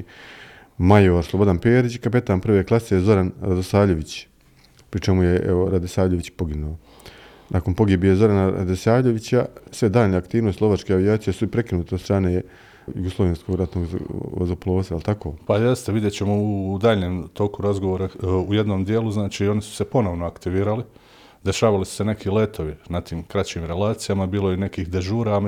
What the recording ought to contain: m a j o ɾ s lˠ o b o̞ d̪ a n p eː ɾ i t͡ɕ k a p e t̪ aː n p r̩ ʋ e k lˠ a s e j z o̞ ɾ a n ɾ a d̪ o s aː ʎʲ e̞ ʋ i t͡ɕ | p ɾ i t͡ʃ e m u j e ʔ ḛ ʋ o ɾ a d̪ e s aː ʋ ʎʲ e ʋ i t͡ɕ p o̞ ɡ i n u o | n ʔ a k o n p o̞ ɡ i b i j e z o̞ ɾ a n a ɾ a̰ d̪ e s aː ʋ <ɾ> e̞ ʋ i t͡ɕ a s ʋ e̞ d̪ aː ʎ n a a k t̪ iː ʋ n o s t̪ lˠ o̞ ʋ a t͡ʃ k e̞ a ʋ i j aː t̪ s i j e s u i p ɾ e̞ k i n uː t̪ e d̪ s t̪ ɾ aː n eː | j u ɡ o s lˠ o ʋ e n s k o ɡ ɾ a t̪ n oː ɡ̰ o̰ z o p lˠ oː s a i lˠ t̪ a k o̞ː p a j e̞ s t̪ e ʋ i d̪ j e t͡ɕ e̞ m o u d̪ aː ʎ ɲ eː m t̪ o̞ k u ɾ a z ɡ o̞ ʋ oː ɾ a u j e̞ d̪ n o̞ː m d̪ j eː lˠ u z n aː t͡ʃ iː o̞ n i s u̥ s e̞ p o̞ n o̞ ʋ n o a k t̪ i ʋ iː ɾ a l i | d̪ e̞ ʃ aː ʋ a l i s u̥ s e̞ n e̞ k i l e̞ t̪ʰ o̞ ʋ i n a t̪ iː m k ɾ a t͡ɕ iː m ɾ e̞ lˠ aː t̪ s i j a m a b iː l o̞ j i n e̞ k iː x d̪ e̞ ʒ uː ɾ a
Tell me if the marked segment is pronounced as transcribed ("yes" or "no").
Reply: no